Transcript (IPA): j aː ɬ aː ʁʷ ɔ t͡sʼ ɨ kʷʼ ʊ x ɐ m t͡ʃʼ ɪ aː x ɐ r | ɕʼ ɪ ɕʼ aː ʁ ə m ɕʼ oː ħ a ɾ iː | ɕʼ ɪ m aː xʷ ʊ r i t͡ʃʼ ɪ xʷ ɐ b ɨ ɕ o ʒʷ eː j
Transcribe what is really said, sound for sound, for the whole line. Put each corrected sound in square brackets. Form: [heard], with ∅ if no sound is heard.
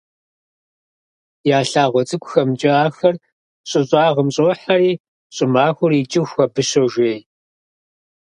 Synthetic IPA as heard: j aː ɬ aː ʁʷ ɔ t͡sʼ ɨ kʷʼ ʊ x ɐ m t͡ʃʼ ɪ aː x ɐ r | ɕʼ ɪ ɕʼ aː ʁ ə m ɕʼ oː ħ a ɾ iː | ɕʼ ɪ m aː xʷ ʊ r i t͡ʃʼ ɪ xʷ ɐ b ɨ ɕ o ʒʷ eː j